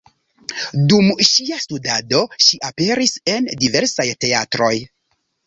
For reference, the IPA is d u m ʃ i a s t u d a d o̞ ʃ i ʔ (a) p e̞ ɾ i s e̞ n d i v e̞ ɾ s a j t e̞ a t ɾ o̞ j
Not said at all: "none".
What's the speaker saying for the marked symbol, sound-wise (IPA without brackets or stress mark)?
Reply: a